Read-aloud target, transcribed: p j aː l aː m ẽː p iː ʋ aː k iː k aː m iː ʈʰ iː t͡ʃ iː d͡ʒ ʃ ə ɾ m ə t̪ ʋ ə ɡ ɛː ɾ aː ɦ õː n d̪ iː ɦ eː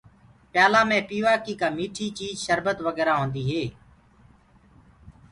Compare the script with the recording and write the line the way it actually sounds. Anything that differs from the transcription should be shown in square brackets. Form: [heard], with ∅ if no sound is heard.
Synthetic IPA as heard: p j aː l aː m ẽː p iː ʋ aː k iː k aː m iː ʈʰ iː t͡ʃ iː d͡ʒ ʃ ə ɾ [b] ə t̪ ʋ ə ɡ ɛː ɾ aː ɦ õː n d̪ iː ɦ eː

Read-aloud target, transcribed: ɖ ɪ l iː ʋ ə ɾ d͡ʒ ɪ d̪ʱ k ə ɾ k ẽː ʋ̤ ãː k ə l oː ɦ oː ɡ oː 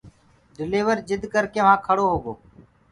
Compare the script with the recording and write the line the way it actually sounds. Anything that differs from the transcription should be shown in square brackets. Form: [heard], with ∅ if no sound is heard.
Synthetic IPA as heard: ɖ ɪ l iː ʋ ə ɾ d͡ʒ ɪ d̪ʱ k ə ɾ k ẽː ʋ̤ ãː [kʰ] ə [ɽ] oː ɦ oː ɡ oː

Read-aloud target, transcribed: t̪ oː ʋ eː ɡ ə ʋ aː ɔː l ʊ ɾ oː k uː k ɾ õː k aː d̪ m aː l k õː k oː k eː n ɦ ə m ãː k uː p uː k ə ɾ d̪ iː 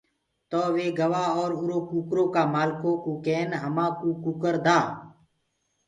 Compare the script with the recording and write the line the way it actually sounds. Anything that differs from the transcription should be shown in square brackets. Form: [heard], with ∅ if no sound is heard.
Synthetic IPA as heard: t̪ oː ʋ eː ɡ ə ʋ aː ɔː [ɾ] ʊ ɾ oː k uː k ɾ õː k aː [∅] m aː l k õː k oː k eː n ɦ ə m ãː k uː [k] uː k ə ɾ d̪ [aː]

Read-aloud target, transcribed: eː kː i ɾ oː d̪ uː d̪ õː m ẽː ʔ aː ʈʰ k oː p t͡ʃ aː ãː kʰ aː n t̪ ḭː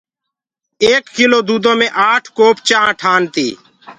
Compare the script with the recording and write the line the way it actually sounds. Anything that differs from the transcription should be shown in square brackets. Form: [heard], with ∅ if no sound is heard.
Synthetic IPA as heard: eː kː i [l] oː d̪ uː d̪ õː m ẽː ʔ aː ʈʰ k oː p t͡ʃ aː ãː [ʈʰ] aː n t̪ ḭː

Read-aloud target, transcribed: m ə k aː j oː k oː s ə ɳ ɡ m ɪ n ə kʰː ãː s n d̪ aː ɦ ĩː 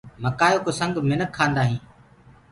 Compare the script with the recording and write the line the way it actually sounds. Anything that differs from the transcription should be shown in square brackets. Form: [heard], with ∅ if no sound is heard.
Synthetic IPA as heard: m ə k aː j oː k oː s ə [ŋ] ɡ m ɪ n ə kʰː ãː [∅] n d̪ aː ɦ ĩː

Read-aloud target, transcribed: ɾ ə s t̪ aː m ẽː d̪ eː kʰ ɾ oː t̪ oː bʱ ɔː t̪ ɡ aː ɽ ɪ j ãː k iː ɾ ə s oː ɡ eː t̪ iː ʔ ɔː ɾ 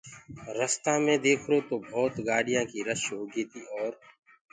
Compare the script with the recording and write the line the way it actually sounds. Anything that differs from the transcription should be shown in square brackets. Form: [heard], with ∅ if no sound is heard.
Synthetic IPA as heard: ɾ ə s t̪ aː m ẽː d̪ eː kʰ ɾ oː t̪ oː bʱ ɔː t̪ ɡ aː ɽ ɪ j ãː k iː ɾ ə [ʃ] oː ɡ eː t̪ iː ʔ ɔː ɾ

